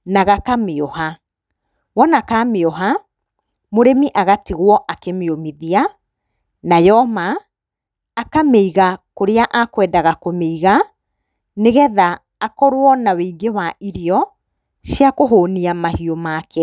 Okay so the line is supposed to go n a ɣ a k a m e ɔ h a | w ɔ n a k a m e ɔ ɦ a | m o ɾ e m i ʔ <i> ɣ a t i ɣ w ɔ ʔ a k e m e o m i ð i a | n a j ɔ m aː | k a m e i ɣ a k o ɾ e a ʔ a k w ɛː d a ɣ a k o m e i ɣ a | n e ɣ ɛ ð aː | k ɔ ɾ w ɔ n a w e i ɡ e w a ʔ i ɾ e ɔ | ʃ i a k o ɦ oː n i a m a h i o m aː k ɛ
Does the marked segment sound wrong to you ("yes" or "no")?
yes